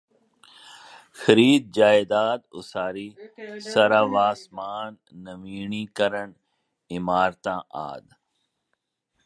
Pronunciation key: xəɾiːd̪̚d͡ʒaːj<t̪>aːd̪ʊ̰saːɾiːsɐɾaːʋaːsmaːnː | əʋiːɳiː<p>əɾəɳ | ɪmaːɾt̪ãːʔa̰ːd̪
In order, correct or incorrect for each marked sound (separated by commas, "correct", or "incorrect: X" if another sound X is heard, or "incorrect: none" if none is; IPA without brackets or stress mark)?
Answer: incorrect: d̪, incorrect: k